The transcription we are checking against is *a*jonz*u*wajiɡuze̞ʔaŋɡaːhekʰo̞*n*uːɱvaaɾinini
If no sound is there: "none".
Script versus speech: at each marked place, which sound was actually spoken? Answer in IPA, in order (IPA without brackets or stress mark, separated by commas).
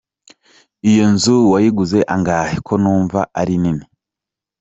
i, u, n